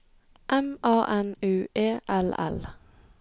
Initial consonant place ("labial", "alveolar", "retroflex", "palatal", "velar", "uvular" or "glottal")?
glottal